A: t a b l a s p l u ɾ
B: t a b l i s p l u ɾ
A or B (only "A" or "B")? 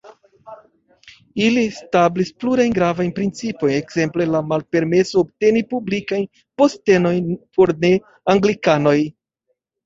B